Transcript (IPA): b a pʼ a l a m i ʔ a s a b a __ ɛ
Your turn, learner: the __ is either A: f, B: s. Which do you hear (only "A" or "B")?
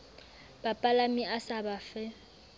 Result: A